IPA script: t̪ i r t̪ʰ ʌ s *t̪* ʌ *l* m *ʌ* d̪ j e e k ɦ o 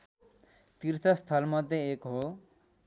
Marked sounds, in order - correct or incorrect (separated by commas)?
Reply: incorrect, correct, correct